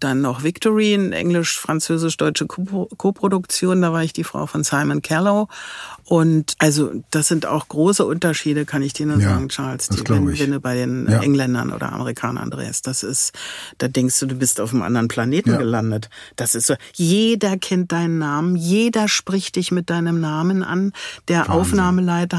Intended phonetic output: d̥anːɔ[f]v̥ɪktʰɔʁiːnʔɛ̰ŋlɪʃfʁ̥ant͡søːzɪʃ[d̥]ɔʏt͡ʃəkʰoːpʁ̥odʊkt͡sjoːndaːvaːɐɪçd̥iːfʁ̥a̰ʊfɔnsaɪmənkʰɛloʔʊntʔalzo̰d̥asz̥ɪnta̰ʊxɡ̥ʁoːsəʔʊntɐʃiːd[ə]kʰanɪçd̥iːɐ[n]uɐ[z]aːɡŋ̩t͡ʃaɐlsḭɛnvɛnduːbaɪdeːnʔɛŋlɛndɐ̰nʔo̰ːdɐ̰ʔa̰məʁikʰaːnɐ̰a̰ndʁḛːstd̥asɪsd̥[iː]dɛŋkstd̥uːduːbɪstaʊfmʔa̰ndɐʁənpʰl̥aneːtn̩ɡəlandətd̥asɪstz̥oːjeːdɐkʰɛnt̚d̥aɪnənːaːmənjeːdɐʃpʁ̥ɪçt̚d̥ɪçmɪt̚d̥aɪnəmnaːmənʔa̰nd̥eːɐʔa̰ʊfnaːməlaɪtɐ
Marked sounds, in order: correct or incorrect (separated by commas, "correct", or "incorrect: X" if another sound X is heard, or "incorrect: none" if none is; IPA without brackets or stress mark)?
incorrect: χ, correct, correct, correct, correct, incorrect: aː